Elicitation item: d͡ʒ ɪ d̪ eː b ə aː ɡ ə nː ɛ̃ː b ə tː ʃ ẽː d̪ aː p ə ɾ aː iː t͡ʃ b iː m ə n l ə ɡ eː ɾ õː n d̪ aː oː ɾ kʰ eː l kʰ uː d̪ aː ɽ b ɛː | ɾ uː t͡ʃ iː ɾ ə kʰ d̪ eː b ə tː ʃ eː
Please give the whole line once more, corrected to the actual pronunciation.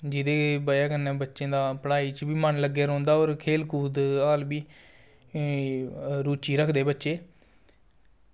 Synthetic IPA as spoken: d͡ʒ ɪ d̪ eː b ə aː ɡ ə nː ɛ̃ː b ə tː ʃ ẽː d̪ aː p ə ɽ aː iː t͡ʃ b iː m ə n l ə ɡ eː ɾ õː n d̪ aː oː ɾ kʰ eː l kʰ uː d̪ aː l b iː | ɾ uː t͡ʃ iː ɾ ə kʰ d̪ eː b ə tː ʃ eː